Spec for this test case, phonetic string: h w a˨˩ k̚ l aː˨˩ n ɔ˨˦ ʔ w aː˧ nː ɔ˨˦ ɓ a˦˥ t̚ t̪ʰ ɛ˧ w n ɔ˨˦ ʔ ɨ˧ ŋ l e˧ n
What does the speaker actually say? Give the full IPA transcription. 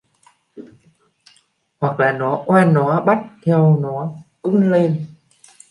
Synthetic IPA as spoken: h w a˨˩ k̚ l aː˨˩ n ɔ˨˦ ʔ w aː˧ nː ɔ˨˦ ɓ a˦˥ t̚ t̪ʰ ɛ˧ w n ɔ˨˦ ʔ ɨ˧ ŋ l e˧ n